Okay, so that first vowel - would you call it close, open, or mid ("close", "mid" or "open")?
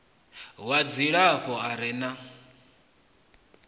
open